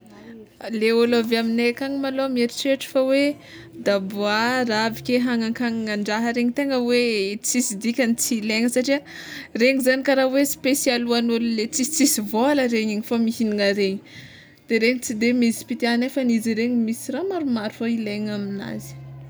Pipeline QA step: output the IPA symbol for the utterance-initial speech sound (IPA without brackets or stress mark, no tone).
l